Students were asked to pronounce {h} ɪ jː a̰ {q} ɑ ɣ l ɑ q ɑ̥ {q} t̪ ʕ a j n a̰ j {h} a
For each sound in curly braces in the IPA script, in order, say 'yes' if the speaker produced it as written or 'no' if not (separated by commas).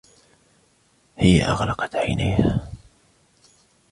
yes, no, no, yes